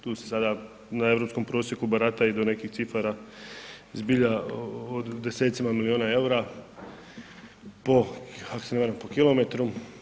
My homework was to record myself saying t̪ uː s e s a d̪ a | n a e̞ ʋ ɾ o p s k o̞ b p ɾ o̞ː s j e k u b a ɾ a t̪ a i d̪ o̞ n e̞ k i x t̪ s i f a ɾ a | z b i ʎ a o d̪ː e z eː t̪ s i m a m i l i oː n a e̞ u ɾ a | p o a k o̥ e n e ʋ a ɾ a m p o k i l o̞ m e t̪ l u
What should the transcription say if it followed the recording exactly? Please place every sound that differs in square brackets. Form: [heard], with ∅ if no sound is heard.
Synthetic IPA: t̪ uː s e s a d̪ a | n a e̞ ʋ ɾ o p s k o̞ [m] p ɾ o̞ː s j e k u b a ɾ a t̪ a i d̪ o̞ n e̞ k i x t̪ s i f a ɾ a | z b i ʎ a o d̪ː e [s] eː t̪ s i m a m i l i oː n a e̞ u ɾ a | p o a k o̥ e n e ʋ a ɾ a m p o k i l o̞ m e t̪ [ɾ] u